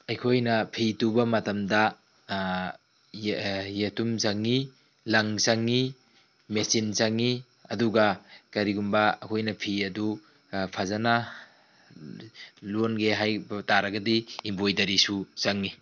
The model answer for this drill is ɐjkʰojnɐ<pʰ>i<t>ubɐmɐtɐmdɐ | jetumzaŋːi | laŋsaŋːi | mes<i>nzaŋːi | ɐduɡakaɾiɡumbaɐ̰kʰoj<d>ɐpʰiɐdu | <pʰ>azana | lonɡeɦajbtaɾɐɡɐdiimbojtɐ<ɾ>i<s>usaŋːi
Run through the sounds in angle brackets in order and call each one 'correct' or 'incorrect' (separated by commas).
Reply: correct, correct, correct, incorrect, correct, correct, correct